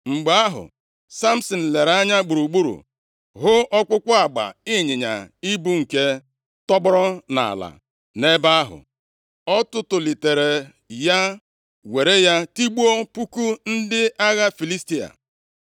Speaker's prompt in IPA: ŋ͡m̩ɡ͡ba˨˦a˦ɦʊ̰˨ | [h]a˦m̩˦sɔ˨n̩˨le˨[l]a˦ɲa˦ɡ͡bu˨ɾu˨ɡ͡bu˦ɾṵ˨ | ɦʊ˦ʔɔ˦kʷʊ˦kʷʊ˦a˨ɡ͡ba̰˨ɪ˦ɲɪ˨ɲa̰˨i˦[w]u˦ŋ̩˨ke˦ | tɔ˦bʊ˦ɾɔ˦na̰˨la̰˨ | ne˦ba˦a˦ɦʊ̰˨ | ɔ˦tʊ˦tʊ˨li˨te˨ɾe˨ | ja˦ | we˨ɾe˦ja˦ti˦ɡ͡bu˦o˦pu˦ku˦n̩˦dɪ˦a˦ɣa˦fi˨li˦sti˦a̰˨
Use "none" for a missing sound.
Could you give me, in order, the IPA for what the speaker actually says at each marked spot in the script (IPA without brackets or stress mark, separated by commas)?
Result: s, ɾ, b